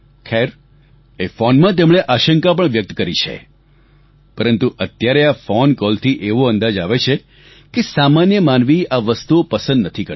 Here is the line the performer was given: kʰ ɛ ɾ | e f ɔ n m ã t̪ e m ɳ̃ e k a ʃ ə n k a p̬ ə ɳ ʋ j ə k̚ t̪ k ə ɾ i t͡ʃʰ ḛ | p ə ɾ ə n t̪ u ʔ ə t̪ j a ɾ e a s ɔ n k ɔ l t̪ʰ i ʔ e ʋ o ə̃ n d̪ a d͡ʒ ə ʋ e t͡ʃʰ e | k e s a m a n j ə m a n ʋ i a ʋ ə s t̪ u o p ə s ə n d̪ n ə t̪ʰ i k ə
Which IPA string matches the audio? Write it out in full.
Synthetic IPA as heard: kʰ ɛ ɾ | e f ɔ n m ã t̪ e m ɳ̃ e ʔ a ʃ ə ŋ k a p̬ ə ɳ ʋ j ə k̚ t̪ k ə ɾ i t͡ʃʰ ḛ | p ə ɾ ə n t̪ u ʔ ə t̪ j a ɾ e a f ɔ n k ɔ l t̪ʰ i ʔ e ʋ o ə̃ n d̪ a d͡ʒ a ʋ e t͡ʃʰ e | k e s a m a n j ə m a n ʋ i a ʋ ə s t̪ u o p ə s ə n d̪ n ə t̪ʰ i k ə